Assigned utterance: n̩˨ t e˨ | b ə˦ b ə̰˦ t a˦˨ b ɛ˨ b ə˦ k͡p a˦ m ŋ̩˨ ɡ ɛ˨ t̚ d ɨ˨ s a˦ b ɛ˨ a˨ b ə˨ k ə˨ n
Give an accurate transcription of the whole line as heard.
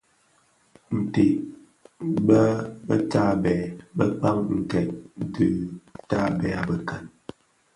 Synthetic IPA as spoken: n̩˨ t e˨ | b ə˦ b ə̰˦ t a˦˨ b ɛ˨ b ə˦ k͡p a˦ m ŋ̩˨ k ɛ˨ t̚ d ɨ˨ t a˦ b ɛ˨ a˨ b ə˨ k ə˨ n